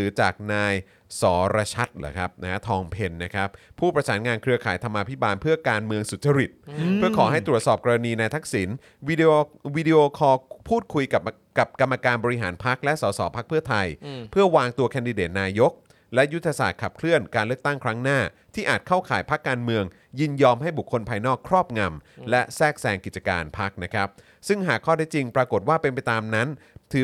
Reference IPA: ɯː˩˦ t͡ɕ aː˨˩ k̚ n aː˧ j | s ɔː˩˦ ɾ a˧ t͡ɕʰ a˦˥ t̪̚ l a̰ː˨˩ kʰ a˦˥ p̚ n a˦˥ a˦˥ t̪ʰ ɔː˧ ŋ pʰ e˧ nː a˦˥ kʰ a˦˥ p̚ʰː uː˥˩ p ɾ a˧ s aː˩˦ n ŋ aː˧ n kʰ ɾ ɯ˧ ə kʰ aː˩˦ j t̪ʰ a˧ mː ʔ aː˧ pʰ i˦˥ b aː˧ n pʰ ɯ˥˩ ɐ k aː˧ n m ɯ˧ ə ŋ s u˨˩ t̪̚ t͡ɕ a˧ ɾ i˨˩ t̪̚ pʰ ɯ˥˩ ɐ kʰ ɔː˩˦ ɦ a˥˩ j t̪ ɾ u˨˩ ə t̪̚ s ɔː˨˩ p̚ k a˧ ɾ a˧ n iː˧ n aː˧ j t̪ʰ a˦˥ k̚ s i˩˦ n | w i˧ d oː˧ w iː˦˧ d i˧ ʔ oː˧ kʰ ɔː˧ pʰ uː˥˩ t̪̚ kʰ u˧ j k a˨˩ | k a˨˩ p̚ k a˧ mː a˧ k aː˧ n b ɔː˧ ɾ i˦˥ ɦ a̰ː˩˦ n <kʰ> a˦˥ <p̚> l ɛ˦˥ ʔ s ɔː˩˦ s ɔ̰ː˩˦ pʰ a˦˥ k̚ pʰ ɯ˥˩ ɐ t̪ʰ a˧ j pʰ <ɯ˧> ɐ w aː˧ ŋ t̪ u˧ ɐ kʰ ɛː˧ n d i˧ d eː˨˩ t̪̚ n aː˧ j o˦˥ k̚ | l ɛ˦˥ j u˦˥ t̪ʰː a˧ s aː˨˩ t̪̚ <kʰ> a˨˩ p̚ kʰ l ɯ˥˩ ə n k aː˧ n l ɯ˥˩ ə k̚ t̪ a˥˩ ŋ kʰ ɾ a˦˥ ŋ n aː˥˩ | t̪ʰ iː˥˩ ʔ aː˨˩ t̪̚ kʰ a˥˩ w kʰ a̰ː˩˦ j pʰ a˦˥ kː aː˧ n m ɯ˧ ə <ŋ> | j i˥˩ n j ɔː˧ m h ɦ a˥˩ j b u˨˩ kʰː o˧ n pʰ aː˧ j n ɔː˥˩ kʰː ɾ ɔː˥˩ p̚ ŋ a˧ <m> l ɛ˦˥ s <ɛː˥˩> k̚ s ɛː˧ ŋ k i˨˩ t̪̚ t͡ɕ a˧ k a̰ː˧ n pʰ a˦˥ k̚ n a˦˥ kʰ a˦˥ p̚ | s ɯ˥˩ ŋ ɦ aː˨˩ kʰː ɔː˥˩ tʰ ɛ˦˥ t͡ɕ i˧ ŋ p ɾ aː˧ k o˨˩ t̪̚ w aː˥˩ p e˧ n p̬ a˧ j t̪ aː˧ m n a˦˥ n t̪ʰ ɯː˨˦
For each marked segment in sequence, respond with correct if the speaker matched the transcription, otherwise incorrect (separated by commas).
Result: incorrect, incorrect, incorrect, correct, correct, correct, correct